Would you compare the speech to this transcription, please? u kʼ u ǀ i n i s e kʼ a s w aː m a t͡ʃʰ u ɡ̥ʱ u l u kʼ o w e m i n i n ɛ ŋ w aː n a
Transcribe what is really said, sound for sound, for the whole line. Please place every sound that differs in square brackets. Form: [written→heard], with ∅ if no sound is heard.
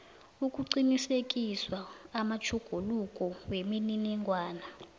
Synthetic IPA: u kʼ u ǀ i n i s e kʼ [a→i] s w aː m a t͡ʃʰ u ɡ̥ʱ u l u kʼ [o→ɔ] w e m i n i n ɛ ŋ w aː n a